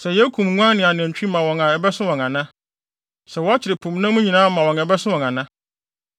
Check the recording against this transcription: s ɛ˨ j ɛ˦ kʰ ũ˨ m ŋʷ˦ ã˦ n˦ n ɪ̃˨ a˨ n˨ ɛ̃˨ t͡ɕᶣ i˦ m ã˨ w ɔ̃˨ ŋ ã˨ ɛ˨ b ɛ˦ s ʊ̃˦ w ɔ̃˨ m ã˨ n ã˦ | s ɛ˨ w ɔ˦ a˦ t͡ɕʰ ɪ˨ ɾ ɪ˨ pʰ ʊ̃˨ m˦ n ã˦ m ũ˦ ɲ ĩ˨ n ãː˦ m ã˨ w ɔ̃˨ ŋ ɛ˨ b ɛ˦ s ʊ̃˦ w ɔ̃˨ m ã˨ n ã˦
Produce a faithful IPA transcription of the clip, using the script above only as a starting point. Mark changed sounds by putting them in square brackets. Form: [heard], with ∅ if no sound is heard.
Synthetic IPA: s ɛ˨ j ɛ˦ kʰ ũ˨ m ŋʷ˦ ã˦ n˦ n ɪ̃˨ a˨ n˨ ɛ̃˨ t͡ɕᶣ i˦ m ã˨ w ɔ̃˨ ŋ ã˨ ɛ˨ b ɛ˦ s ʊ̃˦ w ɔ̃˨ [ŋ] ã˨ n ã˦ | s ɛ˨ w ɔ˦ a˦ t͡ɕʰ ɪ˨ ɾ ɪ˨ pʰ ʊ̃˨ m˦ n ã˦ m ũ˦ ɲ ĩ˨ n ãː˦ m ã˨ w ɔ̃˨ ŋ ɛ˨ b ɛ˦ s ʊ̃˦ w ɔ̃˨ [ŋ] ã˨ n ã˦